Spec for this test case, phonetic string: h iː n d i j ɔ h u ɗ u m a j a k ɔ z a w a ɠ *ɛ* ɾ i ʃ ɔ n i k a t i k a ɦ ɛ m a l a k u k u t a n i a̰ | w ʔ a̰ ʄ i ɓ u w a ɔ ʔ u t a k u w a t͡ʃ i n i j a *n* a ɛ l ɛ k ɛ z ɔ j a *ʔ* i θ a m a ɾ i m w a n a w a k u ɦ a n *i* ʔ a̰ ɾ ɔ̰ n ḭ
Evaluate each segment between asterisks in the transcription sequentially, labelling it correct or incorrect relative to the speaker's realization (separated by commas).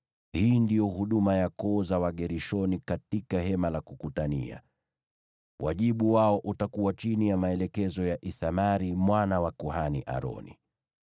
correct, incorrect, correct, correct